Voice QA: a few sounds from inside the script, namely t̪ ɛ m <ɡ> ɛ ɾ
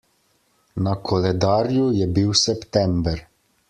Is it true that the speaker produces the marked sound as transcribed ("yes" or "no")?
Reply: no